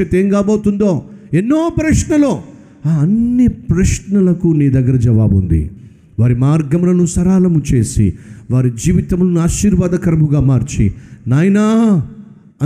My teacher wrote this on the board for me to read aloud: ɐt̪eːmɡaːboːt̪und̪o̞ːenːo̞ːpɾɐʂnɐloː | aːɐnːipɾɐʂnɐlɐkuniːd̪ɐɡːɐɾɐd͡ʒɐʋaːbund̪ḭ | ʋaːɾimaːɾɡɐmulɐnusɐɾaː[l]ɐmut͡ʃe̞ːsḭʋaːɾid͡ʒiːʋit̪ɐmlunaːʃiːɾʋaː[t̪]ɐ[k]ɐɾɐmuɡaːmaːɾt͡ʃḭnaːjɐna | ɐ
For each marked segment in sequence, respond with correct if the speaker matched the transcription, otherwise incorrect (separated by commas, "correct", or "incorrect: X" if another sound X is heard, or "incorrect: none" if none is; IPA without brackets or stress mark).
correct, incorrect: d̪, correct